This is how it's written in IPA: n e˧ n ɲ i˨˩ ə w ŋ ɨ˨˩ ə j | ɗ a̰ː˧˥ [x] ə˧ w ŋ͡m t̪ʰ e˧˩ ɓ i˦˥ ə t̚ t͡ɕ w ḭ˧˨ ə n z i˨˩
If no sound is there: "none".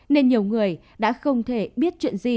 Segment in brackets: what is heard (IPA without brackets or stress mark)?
x